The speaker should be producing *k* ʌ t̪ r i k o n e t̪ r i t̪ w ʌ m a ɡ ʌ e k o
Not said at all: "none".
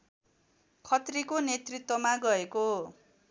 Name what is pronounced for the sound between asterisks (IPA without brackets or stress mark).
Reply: kʰ